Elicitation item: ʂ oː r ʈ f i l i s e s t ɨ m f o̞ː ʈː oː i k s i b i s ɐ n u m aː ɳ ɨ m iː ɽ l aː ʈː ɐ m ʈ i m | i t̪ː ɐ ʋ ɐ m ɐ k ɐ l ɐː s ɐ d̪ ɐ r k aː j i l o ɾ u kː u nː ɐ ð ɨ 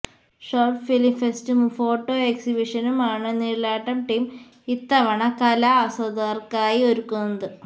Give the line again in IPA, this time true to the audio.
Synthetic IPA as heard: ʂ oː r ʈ f i l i f e s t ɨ m f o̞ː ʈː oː e k s i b i ʂ ɐ n u m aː ɳ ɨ n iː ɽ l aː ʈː ɐ m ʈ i m | i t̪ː ɐ ʋ ɐ ɳ ɐ k ɐ l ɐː s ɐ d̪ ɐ r k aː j i o ɾ u kː u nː ɐ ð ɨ